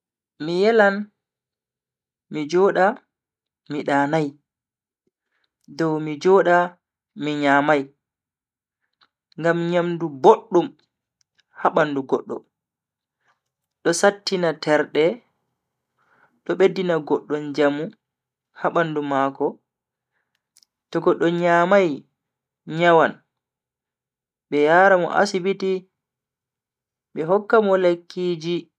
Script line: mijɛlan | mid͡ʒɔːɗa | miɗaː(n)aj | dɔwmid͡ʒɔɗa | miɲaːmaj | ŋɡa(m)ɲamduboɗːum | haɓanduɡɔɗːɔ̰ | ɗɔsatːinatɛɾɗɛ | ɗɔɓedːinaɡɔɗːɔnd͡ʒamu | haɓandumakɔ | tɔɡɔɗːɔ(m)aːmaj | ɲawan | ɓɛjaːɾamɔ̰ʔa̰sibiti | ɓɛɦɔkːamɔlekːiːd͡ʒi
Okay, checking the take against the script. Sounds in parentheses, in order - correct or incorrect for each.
correct, correct, incorrect

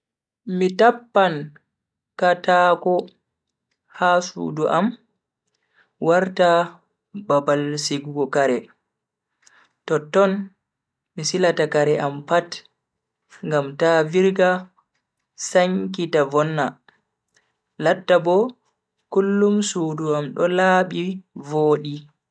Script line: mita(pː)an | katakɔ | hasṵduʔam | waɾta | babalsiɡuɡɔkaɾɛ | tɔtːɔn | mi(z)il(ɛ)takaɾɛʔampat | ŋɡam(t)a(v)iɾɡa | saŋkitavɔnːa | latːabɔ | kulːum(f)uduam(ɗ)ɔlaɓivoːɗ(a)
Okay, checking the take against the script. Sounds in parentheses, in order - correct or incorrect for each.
correct, incorrect, incorrect, correct, correct, incorrect, correct, incorrect

